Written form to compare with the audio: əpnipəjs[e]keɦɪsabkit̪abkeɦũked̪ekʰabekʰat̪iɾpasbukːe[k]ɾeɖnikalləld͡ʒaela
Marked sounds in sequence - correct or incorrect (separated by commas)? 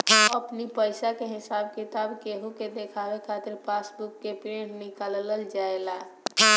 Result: incorrect, incorrect